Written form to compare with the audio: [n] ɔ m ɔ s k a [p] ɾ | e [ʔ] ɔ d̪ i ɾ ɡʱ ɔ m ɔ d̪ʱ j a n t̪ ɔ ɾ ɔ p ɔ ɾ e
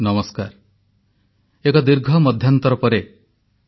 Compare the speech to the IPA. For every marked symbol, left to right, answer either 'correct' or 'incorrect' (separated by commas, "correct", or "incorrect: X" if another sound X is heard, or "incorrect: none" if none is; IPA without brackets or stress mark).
correct, incorrect: none, incorrect: k